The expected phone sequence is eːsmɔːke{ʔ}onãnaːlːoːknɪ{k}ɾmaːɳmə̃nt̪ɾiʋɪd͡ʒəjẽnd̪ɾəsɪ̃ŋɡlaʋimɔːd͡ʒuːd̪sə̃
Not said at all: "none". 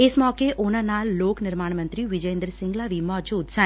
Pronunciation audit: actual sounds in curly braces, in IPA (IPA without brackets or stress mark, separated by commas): ʔ, none